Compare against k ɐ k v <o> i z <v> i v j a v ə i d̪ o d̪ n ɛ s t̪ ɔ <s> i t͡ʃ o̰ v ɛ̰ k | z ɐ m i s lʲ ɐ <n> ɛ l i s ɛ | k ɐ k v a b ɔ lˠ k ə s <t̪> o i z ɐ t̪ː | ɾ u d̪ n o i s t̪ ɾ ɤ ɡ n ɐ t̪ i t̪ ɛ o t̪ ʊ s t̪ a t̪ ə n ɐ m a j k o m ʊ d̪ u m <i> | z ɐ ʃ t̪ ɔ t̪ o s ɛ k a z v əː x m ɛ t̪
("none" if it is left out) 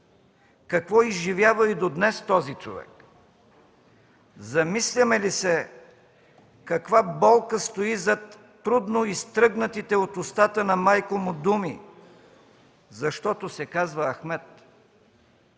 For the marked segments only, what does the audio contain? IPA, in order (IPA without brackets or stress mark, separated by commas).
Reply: ɔ, ʒ, z, m, t̪, i